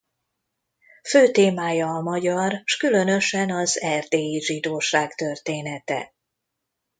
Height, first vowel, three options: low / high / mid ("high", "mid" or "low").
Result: mid